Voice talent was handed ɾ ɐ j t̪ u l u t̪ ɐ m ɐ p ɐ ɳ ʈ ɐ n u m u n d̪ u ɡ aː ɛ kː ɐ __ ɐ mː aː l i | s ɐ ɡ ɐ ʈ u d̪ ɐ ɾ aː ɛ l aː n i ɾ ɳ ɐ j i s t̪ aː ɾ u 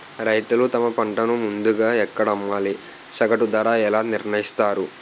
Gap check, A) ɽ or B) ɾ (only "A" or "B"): A